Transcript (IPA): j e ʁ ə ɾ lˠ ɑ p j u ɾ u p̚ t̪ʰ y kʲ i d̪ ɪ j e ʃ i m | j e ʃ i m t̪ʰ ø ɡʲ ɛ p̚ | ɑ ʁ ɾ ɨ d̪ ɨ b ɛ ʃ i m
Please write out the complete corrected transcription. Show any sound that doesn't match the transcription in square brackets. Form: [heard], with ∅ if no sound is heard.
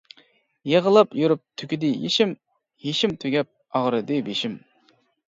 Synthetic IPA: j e ʁ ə [∅] lˠ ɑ p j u ɾ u p̚ t̪ʰ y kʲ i d̪ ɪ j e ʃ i m | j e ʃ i m t̪ʰ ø ɡʲ ɛ p̚ | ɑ ʁ ɾ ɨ d̪ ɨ b [e] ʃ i m